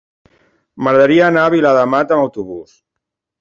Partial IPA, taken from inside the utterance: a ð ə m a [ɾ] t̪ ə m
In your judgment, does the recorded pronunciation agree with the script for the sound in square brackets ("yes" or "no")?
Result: no